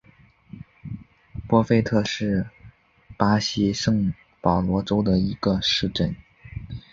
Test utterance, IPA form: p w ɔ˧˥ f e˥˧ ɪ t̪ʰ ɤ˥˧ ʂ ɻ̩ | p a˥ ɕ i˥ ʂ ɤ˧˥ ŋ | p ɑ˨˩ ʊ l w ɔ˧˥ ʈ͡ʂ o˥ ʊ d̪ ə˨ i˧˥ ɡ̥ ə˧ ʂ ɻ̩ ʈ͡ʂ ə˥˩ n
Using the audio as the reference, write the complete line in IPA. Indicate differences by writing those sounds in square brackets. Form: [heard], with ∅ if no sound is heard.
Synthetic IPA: p w [ɔ˥] f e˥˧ ɪ t̪ʰ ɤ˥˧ ʂ ɻ̩ | p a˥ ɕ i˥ ʂ [ɤ˥˩] ŋ | p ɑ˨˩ ʊ l w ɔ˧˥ ʈ͡ʂ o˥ ʊ d̪ ə˨ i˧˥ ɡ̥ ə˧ ʂ ɻ̩ ʈ͡ʂ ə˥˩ n